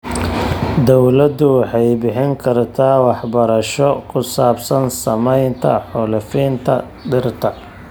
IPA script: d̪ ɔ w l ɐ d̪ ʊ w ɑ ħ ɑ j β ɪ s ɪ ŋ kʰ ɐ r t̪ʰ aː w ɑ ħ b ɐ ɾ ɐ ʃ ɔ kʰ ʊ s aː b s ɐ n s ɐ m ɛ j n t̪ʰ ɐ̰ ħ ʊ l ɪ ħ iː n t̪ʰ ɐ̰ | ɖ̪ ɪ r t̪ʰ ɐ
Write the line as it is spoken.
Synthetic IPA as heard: d̪ ɔ w l ɐ d̪ ʊ w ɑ ħ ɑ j b ɪ ħ ɪ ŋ kʰ ɐ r t̪ʰ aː w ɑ ħ b ɐ ɾ ɐ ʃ ɔ kʰ ʊ s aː b s ɐ n s ɐ m ɛ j n t̪ʰ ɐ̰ ħ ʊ l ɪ f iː n t̪ʰ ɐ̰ | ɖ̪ ɪ r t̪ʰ ɐ